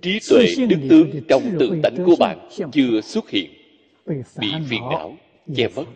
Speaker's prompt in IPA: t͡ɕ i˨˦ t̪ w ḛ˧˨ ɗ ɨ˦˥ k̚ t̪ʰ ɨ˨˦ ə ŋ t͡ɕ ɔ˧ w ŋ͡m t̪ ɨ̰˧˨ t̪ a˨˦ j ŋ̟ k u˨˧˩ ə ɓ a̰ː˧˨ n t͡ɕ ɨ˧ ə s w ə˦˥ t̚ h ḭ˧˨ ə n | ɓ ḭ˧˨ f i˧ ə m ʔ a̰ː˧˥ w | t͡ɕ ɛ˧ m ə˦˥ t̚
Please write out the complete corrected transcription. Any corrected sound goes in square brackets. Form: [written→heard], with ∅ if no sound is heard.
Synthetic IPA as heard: t͡ɕ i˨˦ t̪ w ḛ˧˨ ɗ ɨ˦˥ k̚ [t̪ʰ→t̪] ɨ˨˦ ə ŋ t͡ɕ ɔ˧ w ŋ͡m t̪ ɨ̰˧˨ t̪ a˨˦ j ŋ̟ k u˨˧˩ ə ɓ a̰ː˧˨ n t͡ɕ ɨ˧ ə s w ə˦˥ t̚ h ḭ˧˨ ə n | ɓ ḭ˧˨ f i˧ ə [m→n] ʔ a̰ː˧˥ w | t͡ɕ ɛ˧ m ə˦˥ t̚